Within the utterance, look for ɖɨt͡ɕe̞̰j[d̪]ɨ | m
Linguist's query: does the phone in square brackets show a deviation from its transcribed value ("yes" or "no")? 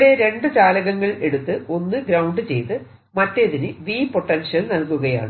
yes